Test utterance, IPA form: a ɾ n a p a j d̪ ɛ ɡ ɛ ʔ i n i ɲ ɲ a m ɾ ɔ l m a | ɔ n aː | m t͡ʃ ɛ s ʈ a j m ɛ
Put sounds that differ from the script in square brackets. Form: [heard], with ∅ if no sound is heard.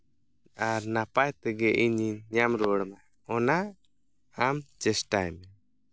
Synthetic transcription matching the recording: a ɾ n a p a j [t̪] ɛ ɡ ɛ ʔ i [ɲ] i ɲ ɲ a m ɾ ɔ [ɽ] m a | ɔ n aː | m t͡ʃ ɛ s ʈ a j m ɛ